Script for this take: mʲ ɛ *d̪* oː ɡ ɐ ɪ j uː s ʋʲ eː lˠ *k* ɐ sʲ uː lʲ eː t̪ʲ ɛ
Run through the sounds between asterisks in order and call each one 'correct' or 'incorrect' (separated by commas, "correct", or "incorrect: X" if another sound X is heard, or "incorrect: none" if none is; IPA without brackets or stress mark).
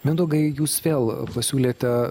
correct, incorrect: p